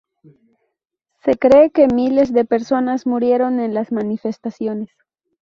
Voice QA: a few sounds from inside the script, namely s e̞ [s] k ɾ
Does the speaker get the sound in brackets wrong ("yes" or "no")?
yes